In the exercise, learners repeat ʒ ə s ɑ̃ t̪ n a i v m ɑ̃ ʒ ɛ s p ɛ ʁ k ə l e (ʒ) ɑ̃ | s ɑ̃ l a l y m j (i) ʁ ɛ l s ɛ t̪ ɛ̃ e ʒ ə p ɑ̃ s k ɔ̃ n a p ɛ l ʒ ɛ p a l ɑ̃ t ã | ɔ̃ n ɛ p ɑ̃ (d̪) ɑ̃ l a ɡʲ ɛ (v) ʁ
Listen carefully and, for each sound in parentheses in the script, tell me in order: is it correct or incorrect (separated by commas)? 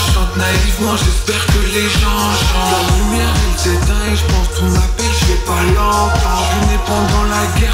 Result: correct, incorrect, correct, incorrect